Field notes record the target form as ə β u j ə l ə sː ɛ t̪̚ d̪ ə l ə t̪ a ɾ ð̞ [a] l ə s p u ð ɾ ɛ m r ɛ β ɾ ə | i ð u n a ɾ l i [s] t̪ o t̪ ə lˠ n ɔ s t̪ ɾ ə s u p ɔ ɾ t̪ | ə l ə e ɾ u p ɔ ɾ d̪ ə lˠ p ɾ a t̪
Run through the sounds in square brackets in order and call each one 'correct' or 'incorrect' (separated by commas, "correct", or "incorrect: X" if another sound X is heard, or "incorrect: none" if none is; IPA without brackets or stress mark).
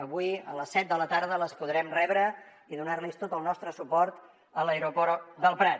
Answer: incorrect: ə, correct